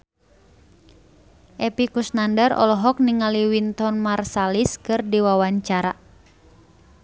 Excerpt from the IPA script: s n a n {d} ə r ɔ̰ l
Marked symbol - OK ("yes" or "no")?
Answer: yes